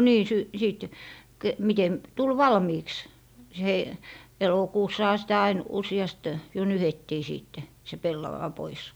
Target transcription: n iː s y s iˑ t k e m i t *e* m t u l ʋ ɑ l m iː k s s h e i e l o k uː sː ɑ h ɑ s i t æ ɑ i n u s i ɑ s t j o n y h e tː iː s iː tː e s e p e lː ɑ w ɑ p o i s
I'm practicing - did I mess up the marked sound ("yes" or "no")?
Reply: no